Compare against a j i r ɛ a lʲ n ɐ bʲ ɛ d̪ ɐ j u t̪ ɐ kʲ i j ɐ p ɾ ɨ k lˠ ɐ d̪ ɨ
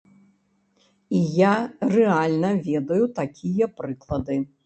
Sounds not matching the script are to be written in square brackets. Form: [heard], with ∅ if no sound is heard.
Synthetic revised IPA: [i] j [a] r ɛ a lʲ n ɐ [vʲ] ɛ d̪ ɐ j u t̪ [a] kʲ i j ɐ p ɾ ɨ k lˠ ɐ d̪ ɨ